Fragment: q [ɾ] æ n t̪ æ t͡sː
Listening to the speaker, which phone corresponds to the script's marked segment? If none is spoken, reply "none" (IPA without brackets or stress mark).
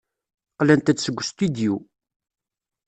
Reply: l